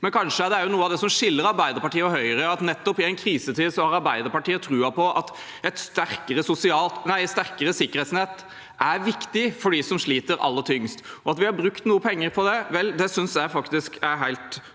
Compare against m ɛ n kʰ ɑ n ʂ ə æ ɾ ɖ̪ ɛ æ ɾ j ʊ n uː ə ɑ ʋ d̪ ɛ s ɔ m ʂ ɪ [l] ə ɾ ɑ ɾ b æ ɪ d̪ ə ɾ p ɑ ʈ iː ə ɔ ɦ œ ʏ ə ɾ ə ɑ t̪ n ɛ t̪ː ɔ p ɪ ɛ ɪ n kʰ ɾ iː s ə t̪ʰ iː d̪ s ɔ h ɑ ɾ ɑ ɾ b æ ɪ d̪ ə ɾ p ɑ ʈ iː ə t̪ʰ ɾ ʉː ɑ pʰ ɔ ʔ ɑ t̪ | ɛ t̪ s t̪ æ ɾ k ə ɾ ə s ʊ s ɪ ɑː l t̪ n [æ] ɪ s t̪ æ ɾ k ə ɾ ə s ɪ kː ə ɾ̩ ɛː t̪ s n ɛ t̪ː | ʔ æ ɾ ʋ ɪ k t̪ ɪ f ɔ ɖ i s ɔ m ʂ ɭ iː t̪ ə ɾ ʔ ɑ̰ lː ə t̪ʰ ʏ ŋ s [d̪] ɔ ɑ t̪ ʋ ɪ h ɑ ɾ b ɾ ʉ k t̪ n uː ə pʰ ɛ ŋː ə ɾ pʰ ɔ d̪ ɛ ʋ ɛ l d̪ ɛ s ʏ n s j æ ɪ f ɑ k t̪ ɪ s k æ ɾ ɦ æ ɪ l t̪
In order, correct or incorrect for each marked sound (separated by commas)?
incorrect, correct, incorrect